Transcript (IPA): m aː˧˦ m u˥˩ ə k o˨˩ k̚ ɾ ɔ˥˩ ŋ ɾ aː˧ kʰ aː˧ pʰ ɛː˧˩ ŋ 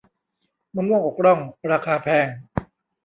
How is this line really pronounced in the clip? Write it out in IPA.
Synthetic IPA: m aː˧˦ m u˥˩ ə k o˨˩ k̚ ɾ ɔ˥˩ ŋ ɾ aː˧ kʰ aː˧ pʰ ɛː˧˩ ŋ